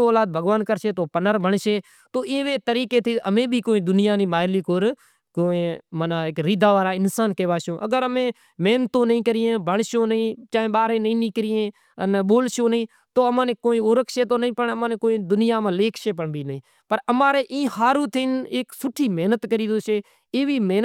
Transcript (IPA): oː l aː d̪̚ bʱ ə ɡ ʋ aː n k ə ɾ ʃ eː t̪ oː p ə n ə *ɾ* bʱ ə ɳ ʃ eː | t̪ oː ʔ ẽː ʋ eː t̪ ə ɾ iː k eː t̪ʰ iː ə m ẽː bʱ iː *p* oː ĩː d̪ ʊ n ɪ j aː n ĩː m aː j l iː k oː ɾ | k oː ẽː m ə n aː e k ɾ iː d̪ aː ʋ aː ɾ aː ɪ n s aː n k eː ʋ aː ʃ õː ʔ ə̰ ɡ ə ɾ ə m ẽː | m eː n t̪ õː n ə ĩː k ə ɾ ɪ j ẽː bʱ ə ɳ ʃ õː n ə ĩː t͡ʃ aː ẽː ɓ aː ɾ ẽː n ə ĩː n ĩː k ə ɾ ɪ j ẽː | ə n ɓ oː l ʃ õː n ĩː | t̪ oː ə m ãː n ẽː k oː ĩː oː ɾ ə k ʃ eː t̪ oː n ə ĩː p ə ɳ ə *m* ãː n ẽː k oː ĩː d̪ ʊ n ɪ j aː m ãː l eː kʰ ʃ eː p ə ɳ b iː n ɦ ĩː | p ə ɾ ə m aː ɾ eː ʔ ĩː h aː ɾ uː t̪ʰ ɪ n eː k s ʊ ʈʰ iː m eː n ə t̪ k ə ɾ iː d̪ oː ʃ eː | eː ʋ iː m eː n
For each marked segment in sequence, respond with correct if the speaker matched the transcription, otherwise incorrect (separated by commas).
correct, incorrect, correct